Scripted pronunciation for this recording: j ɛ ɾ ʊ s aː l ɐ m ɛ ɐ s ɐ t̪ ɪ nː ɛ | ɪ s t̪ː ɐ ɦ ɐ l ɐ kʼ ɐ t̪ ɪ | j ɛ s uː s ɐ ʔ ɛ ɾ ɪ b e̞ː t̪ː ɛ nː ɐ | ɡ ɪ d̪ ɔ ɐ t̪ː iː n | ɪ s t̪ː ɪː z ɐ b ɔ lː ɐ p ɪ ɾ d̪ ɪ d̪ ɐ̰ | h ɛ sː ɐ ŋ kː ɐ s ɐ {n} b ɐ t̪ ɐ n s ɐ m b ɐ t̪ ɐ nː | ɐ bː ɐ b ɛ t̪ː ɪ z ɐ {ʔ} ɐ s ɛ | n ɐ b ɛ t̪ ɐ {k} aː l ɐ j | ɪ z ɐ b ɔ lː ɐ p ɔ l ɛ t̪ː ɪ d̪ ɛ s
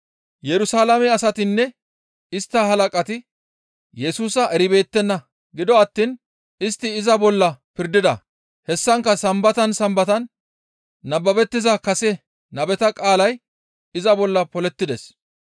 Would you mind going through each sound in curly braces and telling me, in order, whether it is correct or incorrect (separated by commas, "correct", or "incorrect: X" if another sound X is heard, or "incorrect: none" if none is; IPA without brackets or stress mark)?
incorrect: m, incorrect: k, incorrect: kʼ